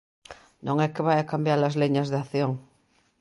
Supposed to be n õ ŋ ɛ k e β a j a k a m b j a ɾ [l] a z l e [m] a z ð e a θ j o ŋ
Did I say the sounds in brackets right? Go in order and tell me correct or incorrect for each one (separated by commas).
correct, incorrect